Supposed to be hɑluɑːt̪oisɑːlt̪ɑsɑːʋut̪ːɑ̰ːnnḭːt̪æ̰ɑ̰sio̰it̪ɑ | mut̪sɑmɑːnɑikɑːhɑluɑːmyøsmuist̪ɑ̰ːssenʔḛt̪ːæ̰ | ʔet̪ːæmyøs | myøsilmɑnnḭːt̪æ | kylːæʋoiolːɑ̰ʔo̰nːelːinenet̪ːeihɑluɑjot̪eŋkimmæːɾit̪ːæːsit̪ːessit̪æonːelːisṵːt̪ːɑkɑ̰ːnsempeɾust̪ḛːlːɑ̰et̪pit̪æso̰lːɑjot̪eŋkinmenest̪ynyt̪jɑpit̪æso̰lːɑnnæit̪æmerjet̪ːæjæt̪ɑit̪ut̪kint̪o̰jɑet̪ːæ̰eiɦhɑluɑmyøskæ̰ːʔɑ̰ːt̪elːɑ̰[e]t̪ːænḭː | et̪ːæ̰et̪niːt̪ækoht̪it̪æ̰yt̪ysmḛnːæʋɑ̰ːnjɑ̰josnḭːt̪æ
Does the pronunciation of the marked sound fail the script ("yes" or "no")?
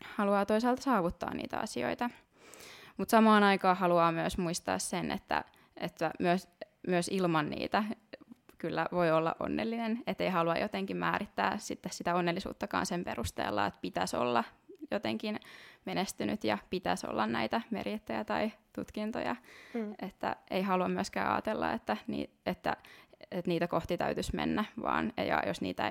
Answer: no